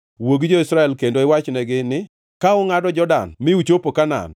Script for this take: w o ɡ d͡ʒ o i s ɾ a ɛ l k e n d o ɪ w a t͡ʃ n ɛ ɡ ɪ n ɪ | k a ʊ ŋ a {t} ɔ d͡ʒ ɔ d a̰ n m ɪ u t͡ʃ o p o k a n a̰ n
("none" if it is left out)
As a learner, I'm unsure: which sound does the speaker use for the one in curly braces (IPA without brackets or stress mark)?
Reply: d